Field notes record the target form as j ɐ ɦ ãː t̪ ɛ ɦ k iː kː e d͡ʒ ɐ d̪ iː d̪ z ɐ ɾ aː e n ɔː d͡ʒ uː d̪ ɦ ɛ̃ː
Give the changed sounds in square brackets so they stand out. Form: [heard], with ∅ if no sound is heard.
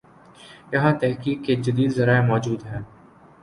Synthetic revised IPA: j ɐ ɦ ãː t̪ ɛ ɦ k iː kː e d͡ʒ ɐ d̪ iː d̪ z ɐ ɾ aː e [m] ɔː d͡ʒ uː d̪ ɦ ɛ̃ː